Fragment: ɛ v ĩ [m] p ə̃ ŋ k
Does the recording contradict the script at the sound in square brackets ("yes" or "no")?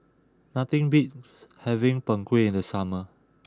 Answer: yes